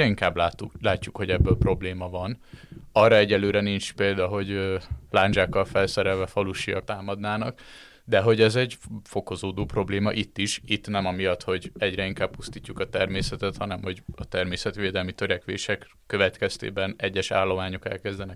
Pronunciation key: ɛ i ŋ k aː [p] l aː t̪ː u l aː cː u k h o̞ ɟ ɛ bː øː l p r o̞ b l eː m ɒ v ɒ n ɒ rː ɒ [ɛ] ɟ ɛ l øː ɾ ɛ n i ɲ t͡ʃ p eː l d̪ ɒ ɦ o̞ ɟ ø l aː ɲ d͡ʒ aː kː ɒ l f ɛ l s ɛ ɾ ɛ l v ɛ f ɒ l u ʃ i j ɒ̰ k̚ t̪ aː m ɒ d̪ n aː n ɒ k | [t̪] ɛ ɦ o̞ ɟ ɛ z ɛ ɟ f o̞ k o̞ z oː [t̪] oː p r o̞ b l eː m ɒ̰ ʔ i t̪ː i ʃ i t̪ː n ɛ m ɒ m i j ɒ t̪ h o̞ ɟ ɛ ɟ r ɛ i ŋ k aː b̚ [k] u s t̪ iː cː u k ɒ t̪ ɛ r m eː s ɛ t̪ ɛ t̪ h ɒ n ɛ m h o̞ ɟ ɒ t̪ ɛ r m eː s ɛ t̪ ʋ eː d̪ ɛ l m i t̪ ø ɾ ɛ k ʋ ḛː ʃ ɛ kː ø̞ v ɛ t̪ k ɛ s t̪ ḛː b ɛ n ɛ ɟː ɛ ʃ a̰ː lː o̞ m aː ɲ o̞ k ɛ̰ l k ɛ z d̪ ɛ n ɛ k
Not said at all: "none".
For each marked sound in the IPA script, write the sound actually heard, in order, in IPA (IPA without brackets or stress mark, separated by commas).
b, ɛ, d̪, d̪, p